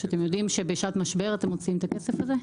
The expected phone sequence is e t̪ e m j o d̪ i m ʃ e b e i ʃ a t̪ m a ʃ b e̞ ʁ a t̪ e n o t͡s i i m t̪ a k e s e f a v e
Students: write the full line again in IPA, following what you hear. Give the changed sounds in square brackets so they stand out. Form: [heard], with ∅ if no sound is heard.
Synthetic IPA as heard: [a] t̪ e m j o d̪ i m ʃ e b e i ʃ a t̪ m a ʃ b e̞ ʁ a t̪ e [m] o t͡s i i m t̪ a k e s e f a [z] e